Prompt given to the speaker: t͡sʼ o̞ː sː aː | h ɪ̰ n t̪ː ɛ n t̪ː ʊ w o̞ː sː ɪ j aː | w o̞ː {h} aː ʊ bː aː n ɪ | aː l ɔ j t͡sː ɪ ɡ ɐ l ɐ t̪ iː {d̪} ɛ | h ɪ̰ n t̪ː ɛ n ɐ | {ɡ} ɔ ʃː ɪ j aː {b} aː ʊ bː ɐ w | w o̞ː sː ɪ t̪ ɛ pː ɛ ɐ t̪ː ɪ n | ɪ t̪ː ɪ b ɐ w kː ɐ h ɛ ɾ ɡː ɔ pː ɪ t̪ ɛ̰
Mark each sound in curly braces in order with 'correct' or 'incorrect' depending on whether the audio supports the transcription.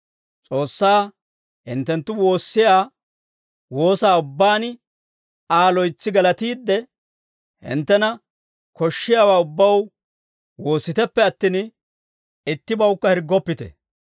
incorrect: s, incorrect: d̪ː, incorrect: k, incorrect: w

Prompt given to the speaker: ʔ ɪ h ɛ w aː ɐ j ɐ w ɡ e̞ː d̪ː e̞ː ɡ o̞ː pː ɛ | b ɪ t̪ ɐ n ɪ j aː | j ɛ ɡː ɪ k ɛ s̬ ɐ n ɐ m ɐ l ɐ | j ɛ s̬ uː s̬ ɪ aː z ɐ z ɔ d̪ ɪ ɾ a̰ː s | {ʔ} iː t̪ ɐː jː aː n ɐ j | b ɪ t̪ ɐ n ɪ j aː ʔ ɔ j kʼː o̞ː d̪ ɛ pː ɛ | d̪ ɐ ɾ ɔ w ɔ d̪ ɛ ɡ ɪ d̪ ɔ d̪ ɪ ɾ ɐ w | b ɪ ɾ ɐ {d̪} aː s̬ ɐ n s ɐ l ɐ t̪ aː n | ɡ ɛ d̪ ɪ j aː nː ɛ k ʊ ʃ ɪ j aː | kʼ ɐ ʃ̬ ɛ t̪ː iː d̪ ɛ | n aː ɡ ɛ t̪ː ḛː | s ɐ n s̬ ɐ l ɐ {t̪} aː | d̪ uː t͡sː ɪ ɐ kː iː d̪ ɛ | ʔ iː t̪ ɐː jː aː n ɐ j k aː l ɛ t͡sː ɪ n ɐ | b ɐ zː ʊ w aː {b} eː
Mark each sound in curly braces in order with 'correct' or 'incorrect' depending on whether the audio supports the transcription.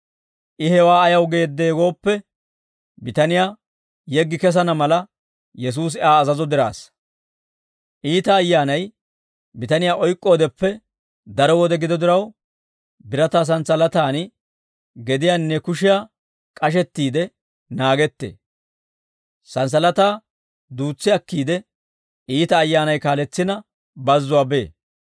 correct, incorrect: t̪, correct, correct

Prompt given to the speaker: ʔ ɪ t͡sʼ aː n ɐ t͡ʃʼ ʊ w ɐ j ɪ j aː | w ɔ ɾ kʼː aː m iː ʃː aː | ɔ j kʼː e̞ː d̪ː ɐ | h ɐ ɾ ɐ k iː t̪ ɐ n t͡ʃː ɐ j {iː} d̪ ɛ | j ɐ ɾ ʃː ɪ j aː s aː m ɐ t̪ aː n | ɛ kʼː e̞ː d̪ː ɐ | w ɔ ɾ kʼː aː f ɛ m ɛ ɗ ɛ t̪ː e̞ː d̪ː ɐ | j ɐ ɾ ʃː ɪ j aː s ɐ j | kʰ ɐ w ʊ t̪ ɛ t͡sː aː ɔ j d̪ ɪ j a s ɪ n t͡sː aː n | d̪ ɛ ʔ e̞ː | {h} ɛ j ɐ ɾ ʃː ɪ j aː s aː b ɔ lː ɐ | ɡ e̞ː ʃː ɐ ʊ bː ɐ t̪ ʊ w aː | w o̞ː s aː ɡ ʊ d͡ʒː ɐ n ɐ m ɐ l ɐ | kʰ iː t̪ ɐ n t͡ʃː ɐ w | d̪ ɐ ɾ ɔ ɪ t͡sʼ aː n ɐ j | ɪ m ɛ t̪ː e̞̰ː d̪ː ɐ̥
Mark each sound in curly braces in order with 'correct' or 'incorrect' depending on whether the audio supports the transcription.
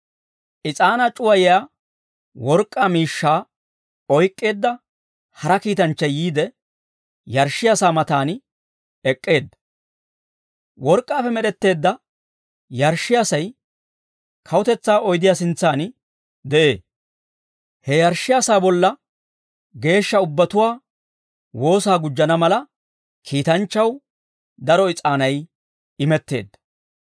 correct, correct

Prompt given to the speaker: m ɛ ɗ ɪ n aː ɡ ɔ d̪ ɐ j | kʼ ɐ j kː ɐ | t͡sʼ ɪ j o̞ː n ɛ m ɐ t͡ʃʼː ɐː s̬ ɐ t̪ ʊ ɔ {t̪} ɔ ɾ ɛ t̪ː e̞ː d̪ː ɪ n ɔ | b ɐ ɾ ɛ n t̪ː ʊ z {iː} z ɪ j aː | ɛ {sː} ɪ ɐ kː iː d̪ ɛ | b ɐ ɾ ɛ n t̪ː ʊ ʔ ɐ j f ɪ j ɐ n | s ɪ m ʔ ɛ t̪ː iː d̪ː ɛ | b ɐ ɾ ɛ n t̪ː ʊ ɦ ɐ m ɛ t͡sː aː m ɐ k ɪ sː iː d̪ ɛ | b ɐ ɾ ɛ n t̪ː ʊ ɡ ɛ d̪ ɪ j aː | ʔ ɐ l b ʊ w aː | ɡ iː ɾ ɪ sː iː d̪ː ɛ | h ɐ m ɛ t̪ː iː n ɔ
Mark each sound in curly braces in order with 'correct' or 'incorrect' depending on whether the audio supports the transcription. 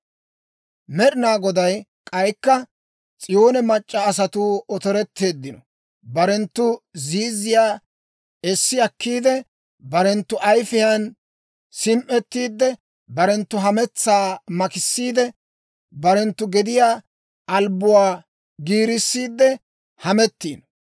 correct, correct, correct

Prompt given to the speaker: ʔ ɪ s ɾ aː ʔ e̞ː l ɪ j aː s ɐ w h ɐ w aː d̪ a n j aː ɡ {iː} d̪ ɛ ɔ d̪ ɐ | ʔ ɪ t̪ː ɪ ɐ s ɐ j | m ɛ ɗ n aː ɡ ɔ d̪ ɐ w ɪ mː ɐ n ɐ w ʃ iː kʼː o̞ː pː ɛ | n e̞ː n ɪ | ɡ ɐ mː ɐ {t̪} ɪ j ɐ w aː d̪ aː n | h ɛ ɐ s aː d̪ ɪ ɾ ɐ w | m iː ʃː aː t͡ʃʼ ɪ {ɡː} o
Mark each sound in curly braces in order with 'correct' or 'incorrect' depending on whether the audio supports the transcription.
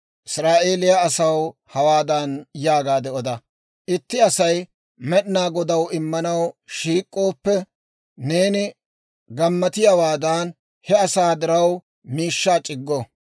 incorrect: aː, correct, correct

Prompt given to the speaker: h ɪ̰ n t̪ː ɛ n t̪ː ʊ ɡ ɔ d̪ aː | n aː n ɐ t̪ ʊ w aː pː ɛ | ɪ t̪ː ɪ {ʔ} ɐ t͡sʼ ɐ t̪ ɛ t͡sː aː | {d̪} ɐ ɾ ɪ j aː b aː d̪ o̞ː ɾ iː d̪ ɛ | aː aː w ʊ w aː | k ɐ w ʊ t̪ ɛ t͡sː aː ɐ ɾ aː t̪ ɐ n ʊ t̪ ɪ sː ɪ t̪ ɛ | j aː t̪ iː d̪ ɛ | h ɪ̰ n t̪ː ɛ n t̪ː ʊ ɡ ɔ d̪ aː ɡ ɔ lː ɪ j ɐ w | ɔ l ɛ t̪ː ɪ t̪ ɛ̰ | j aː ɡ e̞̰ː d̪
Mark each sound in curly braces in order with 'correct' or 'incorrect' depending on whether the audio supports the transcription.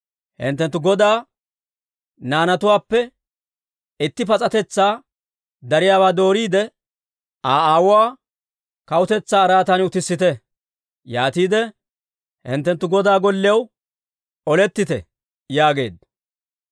incorrect: p, correct

